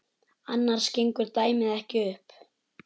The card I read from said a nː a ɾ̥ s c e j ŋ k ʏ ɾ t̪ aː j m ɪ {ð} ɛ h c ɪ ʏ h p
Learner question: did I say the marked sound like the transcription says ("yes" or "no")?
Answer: yes